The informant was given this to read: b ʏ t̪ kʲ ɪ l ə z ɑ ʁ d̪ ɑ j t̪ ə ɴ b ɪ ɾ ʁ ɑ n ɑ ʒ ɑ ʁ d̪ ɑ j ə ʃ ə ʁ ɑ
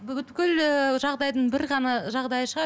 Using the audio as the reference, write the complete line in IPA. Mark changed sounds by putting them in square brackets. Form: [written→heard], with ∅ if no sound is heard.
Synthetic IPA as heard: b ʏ t̪ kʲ ɪ l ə [z→ʒ] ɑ ʁ d̪ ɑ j [t̪→d̪] ə ɴ b ɪ ɾ ʁ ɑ n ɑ ʒ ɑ ʁ d̪ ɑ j ə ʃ ə ʁ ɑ